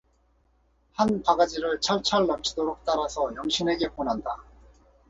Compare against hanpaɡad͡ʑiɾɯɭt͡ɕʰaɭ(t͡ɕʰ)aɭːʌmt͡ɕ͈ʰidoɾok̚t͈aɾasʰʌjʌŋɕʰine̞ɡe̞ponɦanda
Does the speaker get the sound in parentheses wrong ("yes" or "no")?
no